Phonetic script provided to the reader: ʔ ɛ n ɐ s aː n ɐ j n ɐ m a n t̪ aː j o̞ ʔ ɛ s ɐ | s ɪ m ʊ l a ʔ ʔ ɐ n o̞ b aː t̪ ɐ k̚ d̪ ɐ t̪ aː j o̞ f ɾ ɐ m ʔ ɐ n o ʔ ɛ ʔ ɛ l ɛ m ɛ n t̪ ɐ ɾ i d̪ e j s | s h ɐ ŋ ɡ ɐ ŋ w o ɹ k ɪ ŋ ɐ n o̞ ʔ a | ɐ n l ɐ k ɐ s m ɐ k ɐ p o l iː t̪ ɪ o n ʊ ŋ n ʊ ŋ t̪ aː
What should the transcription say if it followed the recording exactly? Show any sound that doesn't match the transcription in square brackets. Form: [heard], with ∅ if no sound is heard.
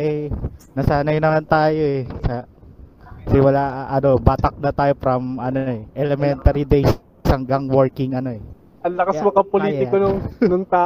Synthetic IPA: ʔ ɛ n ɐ s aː n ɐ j n ɐ m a n t̪ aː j o̞ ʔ ɛ s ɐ | s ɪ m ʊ l a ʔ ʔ ɐ n o̞ b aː t̪ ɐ k̚ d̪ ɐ t̪ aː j o̞ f ɾ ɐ m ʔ ɐ n o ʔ ɛ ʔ ɛ l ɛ m ɛ n t̪ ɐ ɾ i d̪ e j s | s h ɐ ŋ ɡ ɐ ŋ w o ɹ k ɪ ŋ ɐ n o̞ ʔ [ɛ] | ɐ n l ɐ k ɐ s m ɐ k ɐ p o l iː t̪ ɪ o n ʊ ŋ n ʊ ŋ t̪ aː